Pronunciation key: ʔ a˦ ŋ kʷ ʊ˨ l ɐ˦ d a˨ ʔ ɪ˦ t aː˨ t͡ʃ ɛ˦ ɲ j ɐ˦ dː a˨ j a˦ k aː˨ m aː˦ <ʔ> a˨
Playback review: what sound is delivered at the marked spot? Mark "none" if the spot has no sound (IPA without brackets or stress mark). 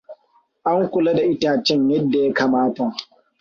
t